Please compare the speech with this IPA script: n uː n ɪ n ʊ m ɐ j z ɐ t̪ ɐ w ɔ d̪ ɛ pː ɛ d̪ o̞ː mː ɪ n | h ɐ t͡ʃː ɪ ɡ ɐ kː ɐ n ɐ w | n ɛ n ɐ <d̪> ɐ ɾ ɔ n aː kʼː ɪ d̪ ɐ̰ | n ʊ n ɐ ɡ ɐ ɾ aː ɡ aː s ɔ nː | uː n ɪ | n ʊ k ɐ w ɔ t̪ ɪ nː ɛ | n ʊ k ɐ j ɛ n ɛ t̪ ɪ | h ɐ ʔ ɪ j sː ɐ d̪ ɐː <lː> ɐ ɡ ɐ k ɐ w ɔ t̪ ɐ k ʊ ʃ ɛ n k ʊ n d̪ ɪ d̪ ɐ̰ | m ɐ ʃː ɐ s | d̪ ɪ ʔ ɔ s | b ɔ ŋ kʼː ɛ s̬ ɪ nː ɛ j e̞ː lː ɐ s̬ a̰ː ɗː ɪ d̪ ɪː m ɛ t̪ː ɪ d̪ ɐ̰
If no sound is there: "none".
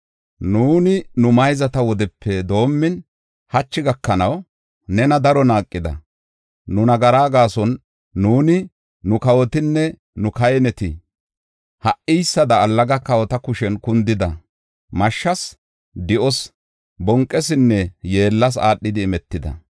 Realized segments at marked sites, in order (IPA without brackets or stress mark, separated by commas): d̪, lː